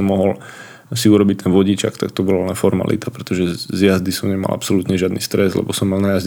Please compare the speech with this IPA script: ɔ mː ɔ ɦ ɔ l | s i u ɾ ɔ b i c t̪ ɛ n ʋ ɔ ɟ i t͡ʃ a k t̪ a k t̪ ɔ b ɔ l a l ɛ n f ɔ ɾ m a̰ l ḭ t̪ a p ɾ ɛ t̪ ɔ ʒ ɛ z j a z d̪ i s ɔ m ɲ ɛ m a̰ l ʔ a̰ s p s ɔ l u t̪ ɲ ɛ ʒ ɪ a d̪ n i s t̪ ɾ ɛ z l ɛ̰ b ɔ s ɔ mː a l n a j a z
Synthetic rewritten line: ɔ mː ɔ ɦ ɔ l | s i u ɾ ɔ b i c t̪ ɛ n ʋ ɔ ɟ i t͡ʃ a k t̪ a k t̪ ɔ b ɔ l a l ɛ n f ɔ ɾ m a̰ l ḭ t̪ a p ɾ ɛ t̪ ɔ ʒ ɛ z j a z d̪ i s ɔ m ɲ ɛ m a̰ l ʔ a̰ p s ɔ l u t̪ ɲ ɛ ʒ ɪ a d̪ n i s t̪ ɾ ɛ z l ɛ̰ b ɔ s ɔ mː a l n a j a z